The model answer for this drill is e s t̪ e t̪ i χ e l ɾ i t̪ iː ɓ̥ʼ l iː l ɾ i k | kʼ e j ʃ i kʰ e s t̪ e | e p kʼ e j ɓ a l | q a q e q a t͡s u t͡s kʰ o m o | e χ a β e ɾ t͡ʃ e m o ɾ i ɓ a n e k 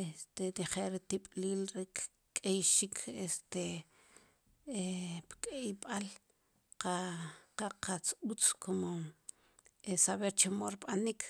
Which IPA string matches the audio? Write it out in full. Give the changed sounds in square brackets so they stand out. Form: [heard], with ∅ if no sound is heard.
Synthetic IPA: e s t̪ e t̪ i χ e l ɾ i t̪ [i] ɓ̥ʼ l iː l ɾ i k | kʼ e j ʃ i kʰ e s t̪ e | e p kʼ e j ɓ a l | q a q [a] q a t͡s u t͡s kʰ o m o | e [s] a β e ɾ t͡ʃ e m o ɾ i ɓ a n [i] k